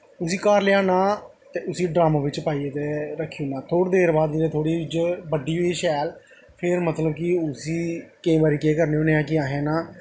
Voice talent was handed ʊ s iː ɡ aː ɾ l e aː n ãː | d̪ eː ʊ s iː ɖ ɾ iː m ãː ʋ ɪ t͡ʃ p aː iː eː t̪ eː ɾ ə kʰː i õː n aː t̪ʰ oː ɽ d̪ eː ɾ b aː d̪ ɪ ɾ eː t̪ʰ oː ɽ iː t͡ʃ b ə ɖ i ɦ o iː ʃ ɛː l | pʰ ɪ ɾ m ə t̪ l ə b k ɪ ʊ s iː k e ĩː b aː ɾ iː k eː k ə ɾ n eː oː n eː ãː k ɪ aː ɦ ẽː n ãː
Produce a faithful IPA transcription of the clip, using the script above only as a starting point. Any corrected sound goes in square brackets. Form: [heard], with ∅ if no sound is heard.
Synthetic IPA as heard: ʊ s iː [k] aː ɾ l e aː n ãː | [t̪] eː ʊ s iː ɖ ɾ [aː] m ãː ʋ ɪ t͡ʃ p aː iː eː t̪ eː ɾ ə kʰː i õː n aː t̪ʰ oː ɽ d̪ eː ɾ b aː d̪ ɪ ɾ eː t̪ʰ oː ɽ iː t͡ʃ b ə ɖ [iː] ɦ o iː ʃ ɛː l | pʰ ɪ ɾ m ə t̪ l ə b k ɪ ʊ s iː k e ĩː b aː ɾ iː k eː k ə ɾ n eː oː n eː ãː k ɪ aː ɦ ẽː n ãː